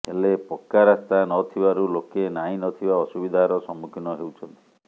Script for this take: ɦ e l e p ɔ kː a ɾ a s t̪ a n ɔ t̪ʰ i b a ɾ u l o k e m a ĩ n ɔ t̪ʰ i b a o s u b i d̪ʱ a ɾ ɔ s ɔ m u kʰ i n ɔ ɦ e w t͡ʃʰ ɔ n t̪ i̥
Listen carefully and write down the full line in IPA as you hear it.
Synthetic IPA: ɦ e l e p ɔ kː a ɾ a s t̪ a n ɔ t̪ʰ i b a ɾ u l o k e n a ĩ n ɔ t̪ʰ i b a ɔ s u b i d̪ʱ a ɾ ɔ s ɔ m u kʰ i n ɔ ɦ e w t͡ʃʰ ɔ n t̪ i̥